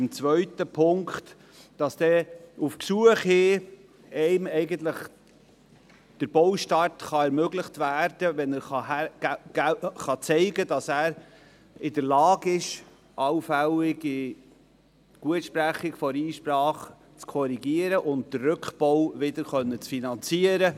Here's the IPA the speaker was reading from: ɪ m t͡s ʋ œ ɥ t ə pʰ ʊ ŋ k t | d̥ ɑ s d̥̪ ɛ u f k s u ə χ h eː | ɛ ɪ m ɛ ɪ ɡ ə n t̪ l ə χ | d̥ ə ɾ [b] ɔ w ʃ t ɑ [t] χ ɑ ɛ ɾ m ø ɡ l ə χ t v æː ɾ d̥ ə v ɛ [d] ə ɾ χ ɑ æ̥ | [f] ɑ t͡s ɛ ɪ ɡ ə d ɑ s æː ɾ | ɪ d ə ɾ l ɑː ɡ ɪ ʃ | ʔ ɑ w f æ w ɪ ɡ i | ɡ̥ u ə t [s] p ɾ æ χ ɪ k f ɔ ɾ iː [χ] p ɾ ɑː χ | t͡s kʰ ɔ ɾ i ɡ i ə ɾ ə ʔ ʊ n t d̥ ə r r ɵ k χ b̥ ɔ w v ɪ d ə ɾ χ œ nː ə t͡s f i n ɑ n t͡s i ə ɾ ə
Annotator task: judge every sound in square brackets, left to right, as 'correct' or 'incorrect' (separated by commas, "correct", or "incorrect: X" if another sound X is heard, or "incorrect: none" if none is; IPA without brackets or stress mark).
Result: correct, correct, incorrect: n, incorrect: χ, incorrect: ʃ, incorrect: ʃ